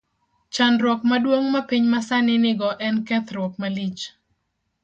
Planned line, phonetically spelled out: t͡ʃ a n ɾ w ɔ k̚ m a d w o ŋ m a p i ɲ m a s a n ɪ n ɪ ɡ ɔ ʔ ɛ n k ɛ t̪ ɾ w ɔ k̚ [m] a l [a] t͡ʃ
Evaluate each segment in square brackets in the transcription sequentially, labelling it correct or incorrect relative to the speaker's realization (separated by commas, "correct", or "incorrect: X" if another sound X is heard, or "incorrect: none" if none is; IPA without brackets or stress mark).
correct, incorrect: i